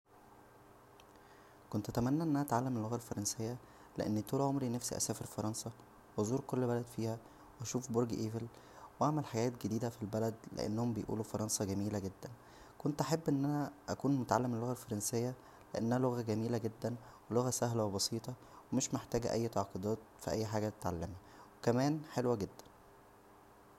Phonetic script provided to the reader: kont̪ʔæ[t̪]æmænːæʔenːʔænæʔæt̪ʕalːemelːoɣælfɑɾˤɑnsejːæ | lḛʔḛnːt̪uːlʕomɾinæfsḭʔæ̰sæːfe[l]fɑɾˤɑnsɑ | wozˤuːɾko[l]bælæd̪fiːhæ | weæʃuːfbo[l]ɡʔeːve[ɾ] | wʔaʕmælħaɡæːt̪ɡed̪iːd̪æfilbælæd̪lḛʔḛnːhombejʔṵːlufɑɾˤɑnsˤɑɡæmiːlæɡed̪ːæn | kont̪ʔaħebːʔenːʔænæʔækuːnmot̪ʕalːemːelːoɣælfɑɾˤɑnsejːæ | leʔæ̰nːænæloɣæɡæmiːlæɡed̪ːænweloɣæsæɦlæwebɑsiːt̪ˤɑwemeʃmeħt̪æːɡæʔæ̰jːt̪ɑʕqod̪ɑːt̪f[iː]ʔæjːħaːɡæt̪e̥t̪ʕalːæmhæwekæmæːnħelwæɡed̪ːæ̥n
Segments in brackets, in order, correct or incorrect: correct, incorrect, incorrect, incorrect, incorrect, incorrect

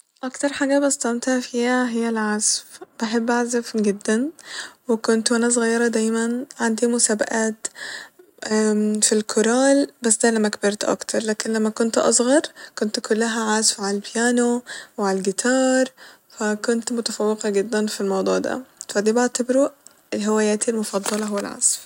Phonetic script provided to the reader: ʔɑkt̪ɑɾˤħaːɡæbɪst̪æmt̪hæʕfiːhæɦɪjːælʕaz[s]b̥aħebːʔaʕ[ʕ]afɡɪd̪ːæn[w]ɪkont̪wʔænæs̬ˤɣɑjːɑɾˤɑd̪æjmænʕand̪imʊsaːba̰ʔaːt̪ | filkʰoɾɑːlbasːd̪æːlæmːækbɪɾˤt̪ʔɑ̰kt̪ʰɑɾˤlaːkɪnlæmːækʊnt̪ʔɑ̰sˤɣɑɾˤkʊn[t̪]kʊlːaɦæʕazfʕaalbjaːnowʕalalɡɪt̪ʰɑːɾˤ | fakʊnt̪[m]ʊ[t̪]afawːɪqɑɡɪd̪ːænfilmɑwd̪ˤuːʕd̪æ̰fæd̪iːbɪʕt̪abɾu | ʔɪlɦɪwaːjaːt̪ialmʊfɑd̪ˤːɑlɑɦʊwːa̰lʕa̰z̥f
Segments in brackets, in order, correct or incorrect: incorrect, incorrect, correct, correct, correct, correct

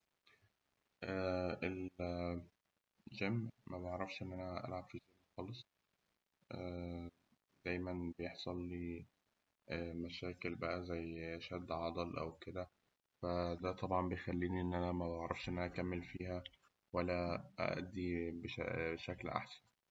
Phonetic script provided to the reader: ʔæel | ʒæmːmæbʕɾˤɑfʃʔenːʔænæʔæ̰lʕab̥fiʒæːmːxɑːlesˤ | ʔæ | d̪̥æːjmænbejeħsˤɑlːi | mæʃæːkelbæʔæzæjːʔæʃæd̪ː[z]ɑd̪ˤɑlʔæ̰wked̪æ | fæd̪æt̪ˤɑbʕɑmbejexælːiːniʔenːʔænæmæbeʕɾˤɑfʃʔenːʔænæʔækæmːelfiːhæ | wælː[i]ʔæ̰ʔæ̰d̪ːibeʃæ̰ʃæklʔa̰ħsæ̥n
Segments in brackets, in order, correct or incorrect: incorrect, incorrect

